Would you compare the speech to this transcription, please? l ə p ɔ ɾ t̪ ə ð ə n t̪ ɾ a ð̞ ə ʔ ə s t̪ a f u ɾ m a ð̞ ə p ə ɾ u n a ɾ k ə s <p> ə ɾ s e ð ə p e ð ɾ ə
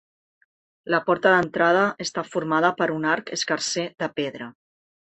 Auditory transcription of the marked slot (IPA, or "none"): k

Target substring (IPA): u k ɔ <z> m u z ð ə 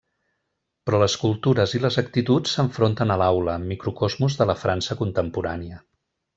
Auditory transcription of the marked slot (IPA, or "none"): z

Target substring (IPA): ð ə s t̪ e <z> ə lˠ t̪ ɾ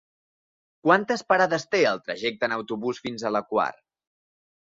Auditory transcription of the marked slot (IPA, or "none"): none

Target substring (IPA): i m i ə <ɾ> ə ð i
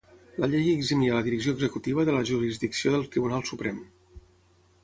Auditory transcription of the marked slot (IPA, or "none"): l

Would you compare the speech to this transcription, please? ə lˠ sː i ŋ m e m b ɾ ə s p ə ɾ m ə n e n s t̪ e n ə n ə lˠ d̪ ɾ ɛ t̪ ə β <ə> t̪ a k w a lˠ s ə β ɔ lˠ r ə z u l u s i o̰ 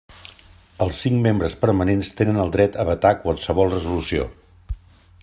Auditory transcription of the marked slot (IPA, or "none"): ə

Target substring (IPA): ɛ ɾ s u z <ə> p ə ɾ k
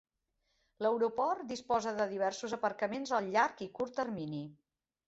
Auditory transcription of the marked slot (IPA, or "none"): ə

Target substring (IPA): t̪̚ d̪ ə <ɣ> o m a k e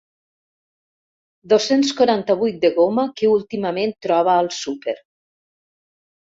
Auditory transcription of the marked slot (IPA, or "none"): ɣ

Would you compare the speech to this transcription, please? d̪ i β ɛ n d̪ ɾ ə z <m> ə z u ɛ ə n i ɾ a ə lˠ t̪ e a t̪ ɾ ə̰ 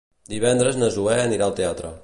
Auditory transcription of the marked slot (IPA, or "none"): n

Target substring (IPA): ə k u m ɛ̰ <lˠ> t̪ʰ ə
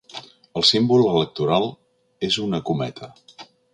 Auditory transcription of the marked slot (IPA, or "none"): none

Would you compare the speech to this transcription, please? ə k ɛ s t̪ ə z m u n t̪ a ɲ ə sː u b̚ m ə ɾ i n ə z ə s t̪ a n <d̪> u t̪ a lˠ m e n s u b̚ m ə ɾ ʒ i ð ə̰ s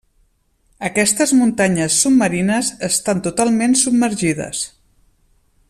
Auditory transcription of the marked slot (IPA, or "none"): t̪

